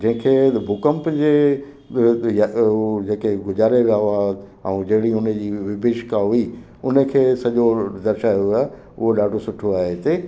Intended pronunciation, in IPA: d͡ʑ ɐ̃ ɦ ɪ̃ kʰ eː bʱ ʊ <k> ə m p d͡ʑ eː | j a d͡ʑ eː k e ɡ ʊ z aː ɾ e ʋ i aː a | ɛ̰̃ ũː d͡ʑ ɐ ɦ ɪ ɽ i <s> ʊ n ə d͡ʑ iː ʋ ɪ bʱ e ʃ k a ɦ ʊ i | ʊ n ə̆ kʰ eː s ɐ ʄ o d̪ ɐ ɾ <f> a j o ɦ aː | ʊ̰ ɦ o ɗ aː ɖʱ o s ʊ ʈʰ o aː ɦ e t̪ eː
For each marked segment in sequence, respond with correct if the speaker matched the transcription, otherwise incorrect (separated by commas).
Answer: correct, incorrect, incorrect